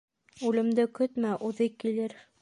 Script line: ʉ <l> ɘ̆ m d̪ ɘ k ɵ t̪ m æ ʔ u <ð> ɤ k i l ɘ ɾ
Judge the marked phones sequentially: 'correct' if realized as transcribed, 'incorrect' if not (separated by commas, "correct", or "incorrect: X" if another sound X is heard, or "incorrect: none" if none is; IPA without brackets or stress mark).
correct, correct